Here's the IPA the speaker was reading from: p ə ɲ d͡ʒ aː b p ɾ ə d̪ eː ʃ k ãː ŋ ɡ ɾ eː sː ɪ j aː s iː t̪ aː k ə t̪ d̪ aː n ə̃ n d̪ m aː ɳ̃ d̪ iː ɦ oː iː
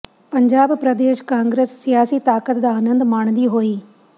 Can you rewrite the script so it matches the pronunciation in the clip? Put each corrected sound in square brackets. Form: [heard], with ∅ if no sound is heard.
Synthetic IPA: p ə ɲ d͡ʒ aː b p ɾ ə d̪ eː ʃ k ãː ŋ ɡ ɾ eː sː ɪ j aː s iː t̪ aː k ə t̪ d̪ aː n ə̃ n d̪ m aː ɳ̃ d̪ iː ɦ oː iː